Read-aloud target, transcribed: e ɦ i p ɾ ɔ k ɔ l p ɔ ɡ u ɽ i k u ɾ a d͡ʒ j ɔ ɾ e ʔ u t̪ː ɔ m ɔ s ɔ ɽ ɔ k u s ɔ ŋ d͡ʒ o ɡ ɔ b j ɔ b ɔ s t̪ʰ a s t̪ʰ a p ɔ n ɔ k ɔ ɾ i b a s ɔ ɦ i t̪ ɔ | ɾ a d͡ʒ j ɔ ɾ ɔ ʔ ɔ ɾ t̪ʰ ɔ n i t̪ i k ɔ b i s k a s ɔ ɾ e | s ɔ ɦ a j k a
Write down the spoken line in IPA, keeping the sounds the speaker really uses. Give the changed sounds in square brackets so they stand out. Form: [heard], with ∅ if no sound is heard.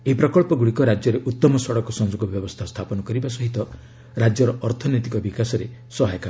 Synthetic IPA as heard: e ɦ i p ɾ ɔ k ɔ [ɭ] p ɔ ɡ u ɽ i k [ɔ] ɾ a d͡ʒ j ɔ ɾ e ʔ u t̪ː ɔ m ɔ s ɔ ɽ ɔ k [ɔ] s ɔ ŋ d͡ʒ o ɡ ɔ b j ɔ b ɔ s t̪ʰ a s t̪ʰ a p ɔ n ɔ k ɔ ɾ i b a s ɔ ɦ i t̪ ɔ | ɾ a d͡ʒ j ɔ ɾ ɔ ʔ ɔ ɾ t̪ʰ ɔ n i t̪ i k ɔ b i [∅] k a s ɔ ɾ e | s ɔ ɦ a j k a